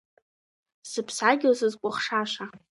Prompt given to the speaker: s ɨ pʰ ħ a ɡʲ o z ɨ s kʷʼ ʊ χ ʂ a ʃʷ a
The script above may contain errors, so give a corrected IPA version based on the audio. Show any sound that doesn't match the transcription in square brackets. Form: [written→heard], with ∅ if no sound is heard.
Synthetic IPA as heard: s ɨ pʰ [ħ→s] a ɡʲ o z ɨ [s→z] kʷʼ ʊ χ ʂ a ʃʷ a